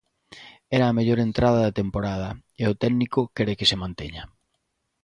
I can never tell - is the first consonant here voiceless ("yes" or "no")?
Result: no